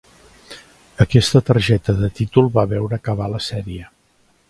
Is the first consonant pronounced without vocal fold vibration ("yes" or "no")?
yes